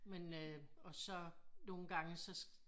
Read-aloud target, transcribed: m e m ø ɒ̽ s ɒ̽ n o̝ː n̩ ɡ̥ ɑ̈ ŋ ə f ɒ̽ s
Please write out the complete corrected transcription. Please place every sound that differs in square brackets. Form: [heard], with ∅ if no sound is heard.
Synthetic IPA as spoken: m e [n] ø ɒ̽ s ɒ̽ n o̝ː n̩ ɡ̥ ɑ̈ ŋ ə [s] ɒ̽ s

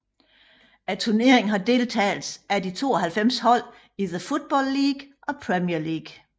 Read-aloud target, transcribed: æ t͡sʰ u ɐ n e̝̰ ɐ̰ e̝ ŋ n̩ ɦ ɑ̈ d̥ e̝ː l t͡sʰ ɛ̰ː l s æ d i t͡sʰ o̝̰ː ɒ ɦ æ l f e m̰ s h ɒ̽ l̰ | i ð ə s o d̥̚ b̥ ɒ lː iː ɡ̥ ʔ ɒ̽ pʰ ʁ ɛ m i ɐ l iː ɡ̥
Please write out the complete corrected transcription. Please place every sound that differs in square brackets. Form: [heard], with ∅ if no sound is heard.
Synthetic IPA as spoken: æ t͡sʰ u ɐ n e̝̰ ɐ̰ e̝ ŋ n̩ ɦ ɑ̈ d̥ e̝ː l t͡sʰ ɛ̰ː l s æ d i t͡sʰ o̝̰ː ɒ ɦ æ l f e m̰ s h ɒ̽ l̰ | i ð ə [f] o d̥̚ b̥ ɒ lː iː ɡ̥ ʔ ɒ̽ pʰ ʁ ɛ m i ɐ l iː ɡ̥

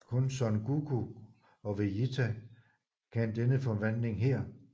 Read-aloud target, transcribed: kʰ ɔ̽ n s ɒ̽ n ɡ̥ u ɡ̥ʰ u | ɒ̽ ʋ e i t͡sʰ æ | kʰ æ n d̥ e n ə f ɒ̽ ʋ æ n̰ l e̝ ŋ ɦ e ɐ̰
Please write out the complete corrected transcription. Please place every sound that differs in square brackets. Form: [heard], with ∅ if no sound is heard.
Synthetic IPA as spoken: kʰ ɔ̽ n s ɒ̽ n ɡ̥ u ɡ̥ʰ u | ɒ̽ ʋ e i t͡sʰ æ | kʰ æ n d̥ e n ə f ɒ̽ ʋ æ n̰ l e̝ ŋ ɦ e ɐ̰

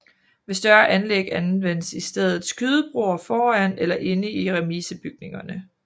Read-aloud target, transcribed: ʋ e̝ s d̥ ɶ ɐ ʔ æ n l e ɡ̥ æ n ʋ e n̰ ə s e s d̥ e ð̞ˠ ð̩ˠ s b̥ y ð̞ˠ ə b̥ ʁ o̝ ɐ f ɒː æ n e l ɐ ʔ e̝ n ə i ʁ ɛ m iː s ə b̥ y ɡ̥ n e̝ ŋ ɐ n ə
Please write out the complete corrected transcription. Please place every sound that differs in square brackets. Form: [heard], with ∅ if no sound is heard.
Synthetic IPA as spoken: ʋ e̝ s d̥ ɶ ɐ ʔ æ n l e ɡ̥ æ n ʋ e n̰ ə s [i] s d̥ e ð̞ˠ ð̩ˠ s [ɡ̥] y ð̞ˠ ə b̥ ʁ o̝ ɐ f ɒː æ n e l ɐ ʔ e̝ n ə i ʁ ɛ m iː s ə b̥ y ɡ̥ n e̝ ŋ ɐ n ə

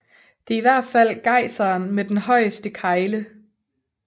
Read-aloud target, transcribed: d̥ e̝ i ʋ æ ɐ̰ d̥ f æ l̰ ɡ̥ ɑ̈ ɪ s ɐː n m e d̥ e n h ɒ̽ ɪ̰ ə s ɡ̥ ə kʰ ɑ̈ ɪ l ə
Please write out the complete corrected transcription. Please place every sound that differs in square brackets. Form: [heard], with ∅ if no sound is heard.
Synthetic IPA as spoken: d̥ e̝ i ʋ æ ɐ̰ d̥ f æ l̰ ɡ̥ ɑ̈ ɪ s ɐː n m e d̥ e n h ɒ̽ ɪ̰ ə s [d̥] ə kʰ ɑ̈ ɪ l ə

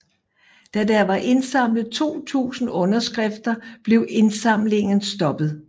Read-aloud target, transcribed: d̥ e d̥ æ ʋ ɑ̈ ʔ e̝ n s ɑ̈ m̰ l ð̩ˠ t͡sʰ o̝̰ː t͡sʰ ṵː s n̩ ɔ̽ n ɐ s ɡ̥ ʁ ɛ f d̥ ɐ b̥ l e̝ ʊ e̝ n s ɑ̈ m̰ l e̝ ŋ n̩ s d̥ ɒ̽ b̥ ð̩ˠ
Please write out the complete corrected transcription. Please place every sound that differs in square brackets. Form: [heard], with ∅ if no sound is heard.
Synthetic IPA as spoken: d̥ [æ] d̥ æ ʋ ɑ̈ ʔ e̝ n s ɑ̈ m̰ l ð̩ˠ t͡sʰ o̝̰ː t͡sʰ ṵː s n̩ ɔ̽ n ɐ s ɡ̥ ʁ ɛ f d̥ ɐ b̥ l e̝ ʊ e̝ n s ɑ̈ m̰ l e̝ ŋ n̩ s d̥ ɒ̽ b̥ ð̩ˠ

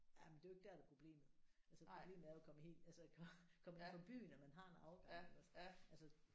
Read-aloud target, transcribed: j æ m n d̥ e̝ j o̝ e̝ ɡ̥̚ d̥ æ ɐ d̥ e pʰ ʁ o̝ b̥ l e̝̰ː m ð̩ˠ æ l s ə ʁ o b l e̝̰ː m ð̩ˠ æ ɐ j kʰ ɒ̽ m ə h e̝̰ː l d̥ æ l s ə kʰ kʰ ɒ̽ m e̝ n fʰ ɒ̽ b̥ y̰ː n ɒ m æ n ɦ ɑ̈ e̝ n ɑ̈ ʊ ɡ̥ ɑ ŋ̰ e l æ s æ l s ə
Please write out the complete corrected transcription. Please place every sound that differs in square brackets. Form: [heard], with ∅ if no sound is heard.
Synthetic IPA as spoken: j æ m n d̥ e̝ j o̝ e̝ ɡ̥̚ d̥ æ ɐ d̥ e pʰ ʁ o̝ b̥ l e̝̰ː m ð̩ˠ æ l s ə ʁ o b l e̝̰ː m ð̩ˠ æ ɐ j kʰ ɒ̽ m ə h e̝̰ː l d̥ æ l s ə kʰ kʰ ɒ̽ m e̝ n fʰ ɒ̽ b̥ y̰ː n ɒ m æ n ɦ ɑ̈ e̝ n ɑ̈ ʊ ɡ̥ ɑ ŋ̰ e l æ s æ l s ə

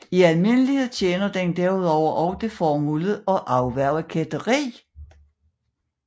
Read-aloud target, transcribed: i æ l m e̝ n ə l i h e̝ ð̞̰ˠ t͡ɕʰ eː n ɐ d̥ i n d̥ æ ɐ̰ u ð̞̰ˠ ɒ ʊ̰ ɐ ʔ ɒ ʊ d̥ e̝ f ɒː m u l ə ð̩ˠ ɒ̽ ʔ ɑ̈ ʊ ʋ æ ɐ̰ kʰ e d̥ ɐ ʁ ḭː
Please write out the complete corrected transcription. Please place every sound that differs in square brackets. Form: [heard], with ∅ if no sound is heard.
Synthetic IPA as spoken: i æ l m e̝ n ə l i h e̝ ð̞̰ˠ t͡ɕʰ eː n ɐ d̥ [e] n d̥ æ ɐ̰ u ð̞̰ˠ ɒ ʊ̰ ɐ ʔ ɒ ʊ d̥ e̝ f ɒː m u l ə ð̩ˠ ɒ̽ ʔ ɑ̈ ʊ ʋ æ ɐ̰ kʰ e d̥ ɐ ʁ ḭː

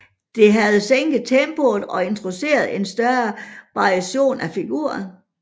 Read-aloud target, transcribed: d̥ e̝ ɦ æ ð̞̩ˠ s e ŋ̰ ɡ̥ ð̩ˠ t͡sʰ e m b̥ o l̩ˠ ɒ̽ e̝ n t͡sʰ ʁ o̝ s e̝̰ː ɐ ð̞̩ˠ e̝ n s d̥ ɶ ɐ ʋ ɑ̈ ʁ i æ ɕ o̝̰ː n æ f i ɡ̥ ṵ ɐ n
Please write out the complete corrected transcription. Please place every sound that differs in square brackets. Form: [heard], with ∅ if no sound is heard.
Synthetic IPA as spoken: d̥ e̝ ɦ æ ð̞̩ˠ s e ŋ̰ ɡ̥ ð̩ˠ t͡sʰ e m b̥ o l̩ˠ ɒ̽ e̝ n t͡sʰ ʁ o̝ s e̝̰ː ɐ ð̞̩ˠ e̝ n s d̥ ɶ ɐ ʋ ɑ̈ ʁ i æ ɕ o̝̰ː n æ f i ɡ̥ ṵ ɐ n

